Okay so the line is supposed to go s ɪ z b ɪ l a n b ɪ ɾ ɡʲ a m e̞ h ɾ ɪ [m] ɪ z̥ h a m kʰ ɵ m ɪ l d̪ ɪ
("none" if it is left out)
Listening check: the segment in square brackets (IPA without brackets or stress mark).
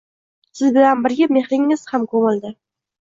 ŋ